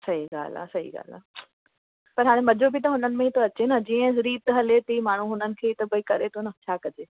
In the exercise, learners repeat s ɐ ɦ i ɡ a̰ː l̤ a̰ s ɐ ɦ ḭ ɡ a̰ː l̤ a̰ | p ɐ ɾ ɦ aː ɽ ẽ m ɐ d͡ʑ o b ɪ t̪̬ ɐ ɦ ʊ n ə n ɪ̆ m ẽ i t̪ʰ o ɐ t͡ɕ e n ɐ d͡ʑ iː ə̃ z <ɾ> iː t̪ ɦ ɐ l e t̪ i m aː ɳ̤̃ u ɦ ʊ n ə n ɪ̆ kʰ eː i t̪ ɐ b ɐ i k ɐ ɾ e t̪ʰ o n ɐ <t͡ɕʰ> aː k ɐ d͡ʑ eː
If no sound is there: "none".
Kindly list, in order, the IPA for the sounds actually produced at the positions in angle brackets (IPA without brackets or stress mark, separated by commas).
ɾ, t͡ɕʰ